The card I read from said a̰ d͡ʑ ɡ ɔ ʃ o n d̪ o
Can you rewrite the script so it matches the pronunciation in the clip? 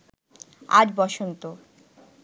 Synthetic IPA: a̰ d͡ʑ b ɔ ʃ o n t̪ o